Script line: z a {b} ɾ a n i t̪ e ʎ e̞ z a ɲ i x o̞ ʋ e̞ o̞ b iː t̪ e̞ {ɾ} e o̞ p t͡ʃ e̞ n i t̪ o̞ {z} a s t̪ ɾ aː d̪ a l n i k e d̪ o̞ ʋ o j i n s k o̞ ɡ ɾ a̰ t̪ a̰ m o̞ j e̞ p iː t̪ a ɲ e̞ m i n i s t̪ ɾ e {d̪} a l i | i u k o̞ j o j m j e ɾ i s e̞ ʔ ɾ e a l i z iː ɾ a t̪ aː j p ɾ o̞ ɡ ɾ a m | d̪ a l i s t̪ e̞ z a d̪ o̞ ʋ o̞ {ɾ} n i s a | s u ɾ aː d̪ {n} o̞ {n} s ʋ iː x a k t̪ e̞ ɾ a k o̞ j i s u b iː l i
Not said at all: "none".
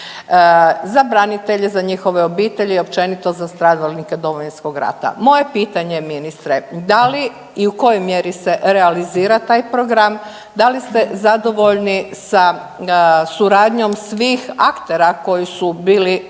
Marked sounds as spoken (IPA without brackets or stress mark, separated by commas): b, ʎ, z, d̪, ʎ, ɲ, m